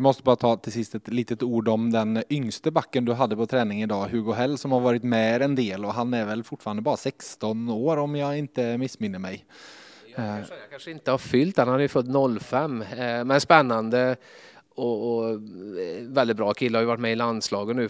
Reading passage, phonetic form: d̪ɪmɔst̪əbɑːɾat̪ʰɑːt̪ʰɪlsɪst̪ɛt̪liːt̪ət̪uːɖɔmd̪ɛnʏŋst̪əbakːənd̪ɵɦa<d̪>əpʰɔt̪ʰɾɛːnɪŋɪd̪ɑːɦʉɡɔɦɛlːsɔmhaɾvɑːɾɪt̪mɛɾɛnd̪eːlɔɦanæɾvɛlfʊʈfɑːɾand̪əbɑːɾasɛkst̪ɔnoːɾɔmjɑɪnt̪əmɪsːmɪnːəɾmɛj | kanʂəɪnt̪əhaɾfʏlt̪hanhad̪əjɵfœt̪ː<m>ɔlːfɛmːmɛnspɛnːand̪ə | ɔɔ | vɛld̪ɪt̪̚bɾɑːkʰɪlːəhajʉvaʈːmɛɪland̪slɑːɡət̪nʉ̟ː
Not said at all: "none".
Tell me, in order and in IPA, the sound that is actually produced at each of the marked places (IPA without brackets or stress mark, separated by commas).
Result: d̪ː, n